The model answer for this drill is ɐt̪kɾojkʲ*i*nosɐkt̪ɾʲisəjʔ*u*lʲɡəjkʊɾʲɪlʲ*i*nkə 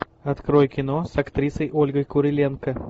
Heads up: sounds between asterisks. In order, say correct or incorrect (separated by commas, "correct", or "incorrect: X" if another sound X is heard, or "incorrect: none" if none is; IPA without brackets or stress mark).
incorrect: ɪ, incorrect: o, incorrect: e